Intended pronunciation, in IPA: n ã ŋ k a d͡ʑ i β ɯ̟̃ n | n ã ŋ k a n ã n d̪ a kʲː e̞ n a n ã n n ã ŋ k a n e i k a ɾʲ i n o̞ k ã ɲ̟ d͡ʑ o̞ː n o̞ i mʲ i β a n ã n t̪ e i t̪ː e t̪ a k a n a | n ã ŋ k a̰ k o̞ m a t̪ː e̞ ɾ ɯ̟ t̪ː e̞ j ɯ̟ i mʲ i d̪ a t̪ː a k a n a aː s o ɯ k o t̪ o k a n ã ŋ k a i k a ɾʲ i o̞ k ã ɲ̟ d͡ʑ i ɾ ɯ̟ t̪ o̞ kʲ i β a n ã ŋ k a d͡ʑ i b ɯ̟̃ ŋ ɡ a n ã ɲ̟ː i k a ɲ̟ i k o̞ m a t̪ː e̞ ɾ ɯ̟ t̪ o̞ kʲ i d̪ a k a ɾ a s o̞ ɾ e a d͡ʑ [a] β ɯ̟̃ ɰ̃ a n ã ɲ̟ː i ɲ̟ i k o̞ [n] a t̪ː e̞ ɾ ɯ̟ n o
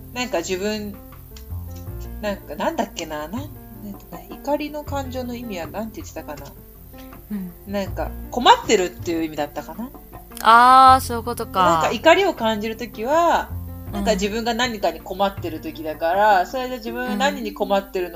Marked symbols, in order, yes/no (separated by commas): no, no